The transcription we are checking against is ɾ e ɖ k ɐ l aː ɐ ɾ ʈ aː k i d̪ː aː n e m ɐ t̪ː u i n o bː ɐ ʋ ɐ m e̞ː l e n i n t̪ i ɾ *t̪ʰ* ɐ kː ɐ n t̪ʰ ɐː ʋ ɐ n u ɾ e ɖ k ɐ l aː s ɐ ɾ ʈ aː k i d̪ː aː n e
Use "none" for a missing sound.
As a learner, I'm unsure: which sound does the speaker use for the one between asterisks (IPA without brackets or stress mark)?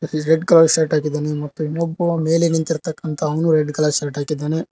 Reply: t̪